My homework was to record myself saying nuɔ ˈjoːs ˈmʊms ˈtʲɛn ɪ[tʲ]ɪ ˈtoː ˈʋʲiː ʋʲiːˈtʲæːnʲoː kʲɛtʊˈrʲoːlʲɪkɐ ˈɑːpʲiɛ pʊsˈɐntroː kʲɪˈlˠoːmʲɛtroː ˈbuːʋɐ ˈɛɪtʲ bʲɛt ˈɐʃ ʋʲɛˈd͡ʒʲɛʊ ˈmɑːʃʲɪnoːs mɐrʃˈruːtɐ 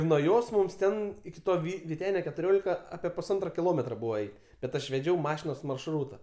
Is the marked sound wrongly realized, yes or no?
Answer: yes